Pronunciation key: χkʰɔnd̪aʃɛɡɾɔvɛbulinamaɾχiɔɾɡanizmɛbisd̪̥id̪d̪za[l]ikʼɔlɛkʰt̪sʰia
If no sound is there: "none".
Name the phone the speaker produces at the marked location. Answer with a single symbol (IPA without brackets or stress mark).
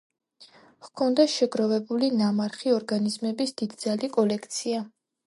l